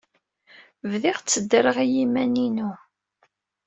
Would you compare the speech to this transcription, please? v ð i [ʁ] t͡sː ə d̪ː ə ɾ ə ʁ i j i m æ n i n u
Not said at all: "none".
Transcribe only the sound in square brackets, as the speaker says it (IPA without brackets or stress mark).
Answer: ʁ